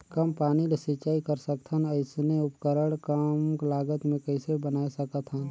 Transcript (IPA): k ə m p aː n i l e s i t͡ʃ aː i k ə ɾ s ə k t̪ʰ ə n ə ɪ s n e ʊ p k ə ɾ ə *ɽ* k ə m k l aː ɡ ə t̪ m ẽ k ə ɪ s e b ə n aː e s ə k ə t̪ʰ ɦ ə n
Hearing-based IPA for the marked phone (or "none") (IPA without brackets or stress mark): ɽ